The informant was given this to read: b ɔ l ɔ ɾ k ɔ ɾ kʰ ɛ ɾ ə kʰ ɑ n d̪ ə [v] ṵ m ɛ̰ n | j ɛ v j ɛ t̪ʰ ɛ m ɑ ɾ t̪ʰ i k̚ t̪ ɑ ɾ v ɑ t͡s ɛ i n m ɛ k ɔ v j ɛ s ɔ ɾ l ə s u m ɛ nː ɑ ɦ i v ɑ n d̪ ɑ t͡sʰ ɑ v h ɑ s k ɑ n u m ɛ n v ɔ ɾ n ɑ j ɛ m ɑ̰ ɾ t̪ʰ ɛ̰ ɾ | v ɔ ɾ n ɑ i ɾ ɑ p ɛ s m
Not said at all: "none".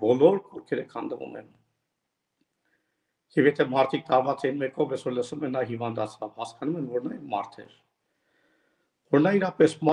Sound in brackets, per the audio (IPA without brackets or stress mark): v